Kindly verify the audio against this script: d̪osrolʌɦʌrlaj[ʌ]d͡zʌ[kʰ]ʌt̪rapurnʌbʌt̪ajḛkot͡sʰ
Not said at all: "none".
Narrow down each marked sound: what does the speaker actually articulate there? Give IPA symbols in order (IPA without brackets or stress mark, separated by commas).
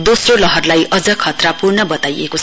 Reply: ʌ, kʰ